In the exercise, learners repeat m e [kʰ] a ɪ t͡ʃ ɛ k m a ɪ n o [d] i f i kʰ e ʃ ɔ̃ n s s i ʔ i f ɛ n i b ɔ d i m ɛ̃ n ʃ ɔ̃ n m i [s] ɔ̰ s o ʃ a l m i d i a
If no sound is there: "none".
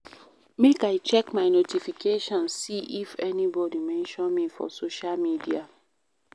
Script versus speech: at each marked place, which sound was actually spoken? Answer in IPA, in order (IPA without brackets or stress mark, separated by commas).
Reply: k, t, f